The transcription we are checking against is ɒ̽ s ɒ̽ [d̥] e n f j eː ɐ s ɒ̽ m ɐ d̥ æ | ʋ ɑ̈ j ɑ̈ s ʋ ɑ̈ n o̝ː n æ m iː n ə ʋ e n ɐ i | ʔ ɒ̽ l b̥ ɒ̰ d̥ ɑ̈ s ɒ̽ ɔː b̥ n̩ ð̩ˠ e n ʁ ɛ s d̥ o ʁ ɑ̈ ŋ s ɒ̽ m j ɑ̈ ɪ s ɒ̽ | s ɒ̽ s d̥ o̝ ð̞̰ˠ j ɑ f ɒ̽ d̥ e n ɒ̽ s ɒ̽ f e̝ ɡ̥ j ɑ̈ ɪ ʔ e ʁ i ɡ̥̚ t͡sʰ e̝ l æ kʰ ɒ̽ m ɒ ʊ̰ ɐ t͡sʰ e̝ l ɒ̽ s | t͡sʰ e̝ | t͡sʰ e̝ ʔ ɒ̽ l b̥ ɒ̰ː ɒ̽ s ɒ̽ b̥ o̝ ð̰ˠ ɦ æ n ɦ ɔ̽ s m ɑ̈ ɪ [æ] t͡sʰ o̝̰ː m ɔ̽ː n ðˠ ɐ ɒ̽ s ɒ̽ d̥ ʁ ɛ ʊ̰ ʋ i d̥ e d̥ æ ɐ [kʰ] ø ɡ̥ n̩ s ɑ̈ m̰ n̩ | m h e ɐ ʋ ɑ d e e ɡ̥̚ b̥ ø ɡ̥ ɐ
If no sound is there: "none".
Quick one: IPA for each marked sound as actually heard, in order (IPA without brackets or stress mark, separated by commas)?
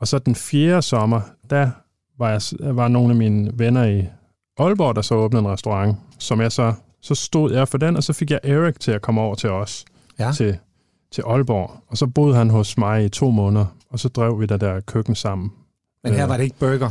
d̥, i, kʰ